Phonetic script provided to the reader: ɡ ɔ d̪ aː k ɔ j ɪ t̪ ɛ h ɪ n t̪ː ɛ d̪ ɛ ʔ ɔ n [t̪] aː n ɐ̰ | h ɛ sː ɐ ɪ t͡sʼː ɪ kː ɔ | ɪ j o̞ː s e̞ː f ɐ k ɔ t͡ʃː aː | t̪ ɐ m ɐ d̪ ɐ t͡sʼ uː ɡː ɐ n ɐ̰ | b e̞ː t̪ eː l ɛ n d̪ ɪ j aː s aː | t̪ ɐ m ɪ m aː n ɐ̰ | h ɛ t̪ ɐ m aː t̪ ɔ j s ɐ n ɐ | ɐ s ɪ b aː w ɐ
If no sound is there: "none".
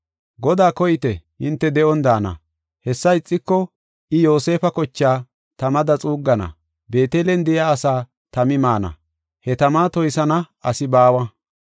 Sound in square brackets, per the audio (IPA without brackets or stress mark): d̪